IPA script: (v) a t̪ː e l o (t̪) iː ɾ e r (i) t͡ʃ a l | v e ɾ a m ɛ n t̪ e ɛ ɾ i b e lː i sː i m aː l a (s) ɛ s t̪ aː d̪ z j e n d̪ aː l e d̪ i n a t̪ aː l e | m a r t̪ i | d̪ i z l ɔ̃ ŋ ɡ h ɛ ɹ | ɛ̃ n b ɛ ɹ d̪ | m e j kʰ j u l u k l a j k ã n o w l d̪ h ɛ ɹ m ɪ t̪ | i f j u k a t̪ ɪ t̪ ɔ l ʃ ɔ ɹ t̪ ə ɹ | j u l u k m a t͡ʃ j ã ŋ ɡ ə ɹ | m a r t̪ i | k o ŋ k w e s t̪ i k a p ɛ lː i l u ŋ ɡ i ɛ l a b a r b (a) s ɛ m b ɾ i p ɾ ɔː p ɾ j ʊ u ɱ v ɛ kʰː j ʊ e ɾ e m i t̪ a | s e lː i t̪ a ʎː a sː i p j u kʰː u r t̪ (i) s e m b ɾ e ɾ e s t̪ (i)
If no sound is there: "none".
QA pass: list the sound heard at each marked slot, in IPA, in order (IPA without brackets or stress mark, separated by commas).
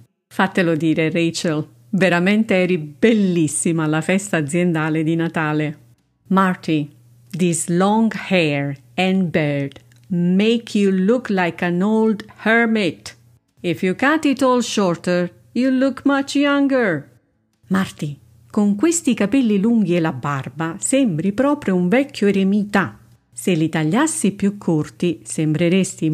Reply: f, d̪, e, f, a, i, i